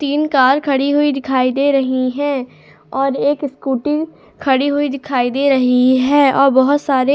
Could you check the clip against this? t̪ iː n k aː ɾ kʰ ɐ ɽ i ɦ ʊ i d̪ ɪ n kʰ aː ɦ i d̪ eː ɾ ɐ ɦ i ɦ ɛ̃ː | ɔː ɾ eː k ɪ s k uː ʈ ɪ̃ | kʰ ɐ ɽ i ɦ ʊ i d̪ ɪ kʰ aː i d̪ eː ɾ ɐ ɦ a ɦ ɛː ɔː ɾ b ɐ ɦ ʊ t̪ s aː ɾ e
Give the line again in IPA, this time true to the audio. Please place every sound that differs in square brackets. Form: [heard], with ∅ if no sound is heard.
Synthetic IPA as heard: t̪ iː n k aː ɾ kʰ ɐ ɽ i ɦ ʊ i d̪ ɪ [∅] kʰ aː [∅] i d̪ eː ɾ ɐ ɦ i ɦ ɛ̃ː | ɔː ɾ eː k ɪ s k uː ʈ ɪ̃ | kʰ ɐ ɽ i ɦ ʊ i d̪ ɪ kʰ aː i d̪ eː ɾ ɐ ɦ [i] ɦ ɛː ɔː ɾ b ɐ ɦ ʊ t̪ s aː ɾ e

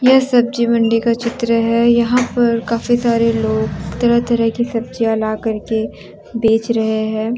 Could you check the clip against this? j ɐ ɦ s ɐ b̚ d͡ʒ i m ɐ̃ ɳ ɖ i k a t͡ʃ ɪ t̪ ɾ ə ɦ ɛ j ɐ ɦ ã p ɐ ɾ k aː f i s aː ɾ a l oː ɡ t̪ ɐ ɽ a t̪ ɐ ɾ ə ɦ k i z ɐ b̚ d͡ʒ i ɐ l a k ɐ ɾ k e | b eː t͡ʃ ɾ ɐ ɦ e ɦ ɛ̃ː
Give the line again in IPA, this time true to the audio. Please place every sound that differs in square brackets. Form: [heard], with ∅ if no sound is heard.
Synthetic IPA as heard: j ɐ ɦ s ɐ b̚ d͡ʒ i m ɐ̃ ɳ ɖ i k a t͡ʃ ɪ t̪ ɾ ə ɦ ɛ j ɐ ɦ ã p ɐ ɾ k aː f i s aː ɾ [e] l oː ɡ t̪ ɐ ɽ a t̪ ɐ ɾ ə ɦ k i [s] ɐ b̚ d͡ʒ i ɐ l a k ɐ ɾ k e | b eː t͡ʃ ɾ ɐ ɦ e ɦ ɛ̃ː

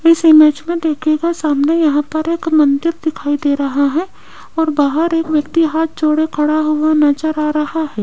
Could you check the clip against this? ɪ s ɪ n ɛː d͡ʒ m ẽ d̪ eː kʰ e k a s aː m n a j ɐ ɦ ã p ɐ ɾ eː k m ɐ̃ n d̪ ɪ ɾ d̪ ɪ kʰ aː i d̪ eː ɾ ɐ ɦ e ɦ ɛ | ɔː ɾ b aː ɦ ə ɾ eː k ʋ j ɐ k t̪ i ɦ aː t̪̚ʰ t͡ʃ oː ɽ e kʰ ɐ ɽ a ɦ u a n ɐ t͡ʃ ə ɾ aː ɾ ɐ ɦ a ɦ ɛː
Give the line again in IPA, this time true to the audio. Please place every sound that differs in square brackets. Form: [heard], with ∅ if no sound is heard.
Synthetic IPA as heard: ɪ s ɪ [m] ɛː d͡ʒ m ẽ d̪ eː kʰ e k a s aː m n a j ɐ ɦ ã p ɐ ɾ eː k m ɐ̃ n d̪ ɪ ɾ d̪ ɪ kʰ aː i d̪ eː ɾ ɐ ɦ [a] ɦ ɛ | ɔː ɾ b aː ɦ ə ɾ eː k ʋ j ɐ k t̪ i ɦ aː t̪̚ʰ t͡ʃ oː ɽ e kʰ ɐ ɽ a ɦ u a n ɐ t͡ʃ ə ɾ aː ɾ ɐ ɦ a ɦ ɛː

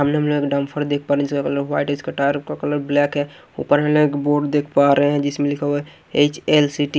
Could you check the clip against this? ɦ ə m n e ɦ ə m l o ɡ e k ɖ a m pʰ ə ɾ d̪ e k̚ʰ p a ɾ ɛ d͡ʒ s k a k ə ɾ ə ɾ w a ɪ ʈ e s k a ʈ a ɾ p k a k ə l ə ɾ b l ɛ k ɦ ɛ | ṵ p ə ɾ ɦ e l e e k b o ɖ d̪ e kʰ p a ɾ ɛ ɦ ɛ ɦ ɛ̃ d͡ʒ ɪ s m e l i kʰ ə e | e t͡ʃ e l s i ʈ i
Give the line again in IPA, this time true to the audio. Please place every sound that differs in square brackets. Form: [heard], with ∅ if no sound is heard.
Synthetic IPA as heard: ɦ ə m n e ɦ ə m l o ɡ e k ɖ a m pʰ ə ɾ d̪ e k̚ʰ p a ɾ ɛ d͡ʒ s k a k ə [l] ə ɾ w a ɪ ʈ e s k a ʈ a ɾ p k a k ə l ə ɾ b l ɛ k ɦ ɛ | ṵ p ə ɾ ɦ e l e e k b o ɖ d̪ e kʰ p a ɾ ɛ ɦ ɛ ɦ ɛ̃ d͡ʒ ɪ s m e l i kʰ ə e | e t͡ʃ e l s i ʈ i

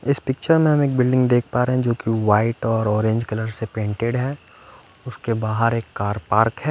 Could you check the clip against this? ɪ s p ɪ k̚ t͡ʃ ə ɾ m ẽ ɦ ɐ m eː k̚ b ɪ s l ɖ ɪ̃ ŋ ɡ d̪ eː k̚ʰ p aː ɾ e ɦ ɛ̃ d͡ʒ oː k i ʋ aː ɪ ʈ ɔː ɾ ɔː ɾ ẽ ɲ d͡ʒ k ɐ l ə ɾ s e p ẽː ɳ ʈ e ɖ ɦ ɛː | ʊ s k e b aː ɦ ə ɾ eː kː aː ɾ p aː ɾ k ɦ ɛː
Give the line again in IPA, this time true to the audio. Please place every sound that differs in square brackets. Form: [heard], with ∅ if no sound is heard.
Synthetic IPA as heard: ɪ s p ɪ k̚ t͡ʃ ə ɾ m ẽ ɦ ɐ m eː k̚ b ɪ [∅] l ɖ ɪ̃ ŋ ɡ d̪ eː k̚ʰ p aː ɾ e ɦ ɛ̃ d͡ʒ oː k i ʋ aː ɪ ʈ ɔː ɾ ɔː ɾ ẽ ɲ d͡ʒ k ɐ l ə ɾ s e p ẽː ɳ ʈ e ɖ ɦ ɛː | ʊ s k e b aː ɦ ə ɾ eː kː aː ɾ p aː ɾ k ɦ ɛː

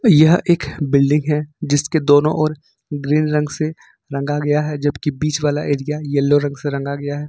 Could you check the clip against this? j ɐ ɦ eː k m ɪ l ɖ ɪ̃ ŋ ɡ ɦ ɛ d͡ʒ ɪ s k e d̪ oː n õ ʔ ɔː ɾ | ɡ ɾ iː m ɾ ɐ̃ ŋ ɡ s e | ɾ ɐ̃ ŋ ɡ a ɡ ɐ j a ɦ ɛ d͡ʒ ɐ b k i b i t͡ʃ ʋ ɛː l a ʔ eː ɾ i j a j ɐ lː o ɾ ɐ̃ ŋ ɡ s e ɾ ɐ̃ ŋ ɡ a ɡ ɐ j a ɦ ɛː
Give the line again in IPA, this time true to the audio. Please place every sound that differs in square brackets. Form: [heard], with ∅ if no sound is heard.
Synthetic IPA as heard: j ɐ ɦ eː k [b] ɪ l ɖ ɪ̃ ŋ ɡ ɦ ɛ d͡ʒ ɪ s k e d̪ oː n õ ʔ ɔː ɾ | ɡ ɾ iː [n] ɾ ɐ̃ ŋ ɡ s e | ɾ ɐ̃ ŋ ɡ a ɡ ɐ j a ɦ ɛ d͡ʒ ɐ b k i b [iː] t͡ʃ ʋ [aː] l a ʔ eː ɾ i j a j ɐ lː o ɾ ɐ̃ ŋ ɡ s e ɾ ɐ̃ ŋ ɡ a ɡ ɐ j a ɦ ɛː

